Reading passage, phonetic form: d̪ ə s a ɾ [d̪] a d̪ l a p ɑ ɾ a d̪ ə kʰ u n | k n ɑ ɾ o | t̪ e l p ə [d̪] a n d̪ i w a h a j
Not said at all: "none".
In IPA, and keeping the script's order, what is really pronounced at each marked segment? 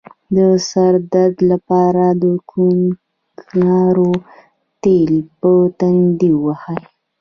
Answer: d̪, t̪

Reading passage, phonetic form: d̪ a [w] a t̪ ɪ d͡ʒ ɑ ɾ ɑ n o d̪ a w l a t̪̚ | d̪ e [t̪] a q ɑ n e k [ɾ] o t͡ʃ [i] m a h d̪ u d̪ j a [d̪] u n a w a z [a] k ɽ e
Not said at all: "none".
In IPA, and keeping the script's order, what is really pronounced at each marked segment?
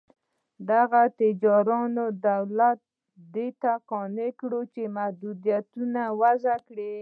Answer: ɣ, t̪, ɽ, e, t̪, a

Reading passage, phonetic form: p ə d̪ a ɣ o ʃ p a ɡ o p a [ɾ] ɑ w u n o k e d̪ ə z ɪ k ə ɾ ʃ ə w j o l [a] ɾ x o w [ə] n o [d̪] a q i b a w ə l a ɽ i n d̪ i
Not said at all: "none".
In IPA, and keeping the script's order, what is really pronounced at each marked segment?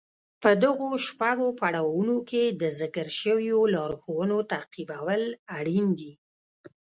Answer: ɽ, ɑ, ə, t̪

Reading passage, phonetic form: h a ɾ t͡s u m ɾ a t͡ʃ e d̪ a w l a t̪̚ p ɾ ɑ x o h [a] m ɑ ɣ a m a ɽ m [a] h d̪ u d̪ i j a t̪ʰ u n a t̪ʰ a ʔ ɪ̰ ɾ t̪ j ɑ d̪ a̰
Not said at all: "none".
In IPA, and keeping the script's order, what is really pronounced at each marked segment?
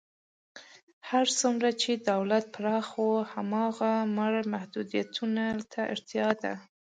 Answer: a, a

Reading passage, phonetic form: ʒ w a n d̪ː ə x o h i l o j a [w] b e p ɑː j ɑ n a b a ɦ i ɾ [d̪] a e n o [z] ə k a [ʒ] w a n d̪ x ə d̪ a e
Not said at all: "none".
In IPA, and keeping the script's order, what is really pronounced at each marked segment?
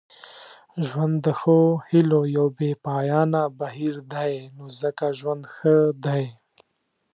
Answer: w, d̪, z, ʒ

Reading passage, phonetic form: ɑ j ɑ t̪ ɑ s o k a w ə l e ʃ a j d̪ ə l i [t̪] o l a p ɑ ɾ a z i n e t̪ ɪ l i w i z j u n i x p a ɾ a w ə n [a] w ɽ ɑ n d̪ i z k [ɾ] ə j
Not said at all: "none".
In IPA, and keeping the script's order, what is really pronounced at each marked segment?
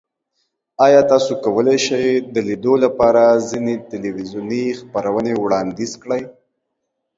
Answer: d̪, e, ɽ

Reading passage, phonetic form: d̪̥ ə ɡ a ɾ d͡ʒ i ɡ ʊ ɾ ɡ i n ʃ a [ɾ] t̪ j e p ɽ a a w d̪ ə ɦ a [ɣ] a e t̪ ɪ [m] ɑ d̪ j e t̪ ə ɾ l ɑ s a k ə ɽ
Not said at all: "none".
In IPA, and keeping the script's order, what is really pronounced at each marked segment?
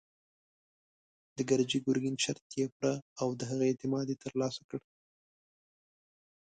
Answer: ɾ, ɣ, m

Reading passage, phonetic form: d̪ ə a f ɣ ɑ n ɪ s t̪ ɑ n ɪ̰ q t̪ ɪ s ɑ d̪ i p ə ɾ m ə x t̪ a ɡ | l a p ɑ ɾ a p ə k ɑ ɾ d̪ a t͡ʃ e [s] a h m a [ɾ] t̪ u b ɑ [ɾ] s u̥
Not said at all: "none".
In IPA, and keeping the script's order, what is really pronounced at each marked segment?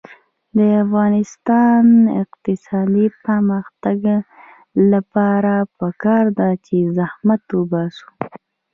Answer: z, none, none

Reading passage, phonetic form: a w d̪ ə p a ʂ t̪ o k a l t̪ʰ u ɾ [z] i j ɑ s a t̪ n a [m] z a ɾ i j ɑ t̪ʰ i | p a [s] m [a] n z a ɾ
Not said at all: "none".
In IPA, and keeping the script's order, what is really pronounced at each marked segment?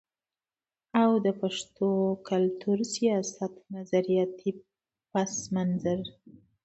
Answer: s, none, s, a

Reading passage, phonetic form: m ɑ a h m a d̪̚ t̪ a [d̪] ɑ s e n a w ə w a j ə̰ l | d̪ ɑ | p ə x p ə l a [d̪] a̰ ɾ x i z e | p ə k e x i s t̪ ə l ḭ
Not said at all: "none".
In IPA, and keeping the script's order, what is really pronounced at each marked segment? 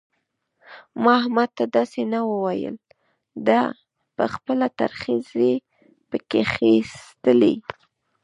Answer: d̪, t̪

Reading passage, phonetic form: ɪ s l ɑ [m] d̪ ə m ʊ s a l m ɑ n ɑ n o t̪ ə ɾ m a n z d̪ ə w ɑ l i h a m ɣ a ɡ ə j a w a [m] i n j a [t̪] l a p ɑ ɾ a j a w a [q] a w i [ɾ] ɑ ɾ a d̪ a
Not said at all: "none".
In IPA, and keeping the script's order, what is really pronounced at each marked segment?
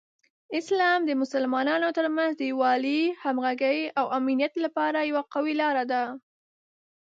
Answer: m, m, t̪, q, l

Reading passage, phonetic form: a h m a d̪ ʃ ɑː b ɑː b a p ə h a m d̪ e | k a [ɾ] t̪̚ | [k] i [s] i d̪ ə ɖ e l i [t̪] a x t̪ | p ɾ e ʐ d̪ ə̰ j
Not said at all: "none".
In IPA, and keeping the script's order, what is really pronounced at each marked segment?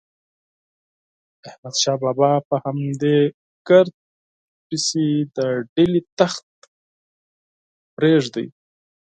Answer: ɾ, p, s, t̪

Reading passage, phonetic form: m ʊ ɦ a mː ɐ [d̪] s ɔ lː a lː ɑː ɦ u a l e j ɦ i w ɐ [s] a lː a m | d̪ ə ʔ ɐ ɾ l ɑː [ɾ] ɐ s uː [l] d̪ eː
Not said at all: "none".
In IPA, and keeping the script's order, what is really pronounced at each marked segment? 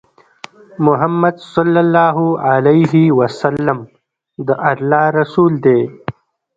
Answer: d̪, s, ɾ, l

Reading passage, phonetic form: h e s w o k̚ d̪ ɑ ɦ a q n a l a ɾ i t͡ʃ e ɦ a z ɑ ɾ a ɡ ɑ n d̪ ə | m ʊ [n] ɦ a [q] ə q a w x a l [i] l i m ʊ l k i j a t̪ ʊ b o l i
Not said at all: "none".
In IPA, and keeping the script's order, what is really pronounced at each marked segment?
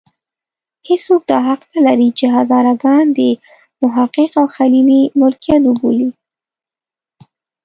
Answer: none, q, i

